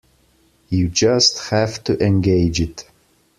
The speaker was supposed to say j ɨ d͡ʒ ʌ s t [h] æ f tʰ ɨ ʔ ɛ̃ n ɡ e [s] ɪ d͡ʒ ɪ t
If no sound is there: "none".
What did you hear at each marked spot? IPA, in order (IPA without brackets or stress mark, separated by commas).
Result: h, none